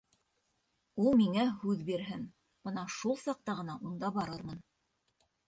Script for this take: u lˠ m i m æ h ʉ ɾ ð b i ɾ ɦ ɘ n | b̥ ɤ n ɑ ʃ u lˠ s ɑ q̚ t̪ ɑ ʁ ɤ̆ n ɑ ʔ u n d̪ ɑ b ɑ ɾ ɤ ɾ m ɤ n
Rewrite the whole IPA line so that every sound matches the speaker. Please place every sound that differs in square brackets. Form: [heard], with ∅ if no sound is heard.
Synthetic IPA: u lˠ m i [ŋ] æ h ʉ [∅] ð b i ɾ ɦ ɘ n | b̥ ɤ n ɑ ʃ u lˠ s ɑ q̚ t̪ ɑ ʁ ɤ̆ n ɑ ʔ u n d̪ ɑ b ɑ ɾ ɤ ɾ m ɤ n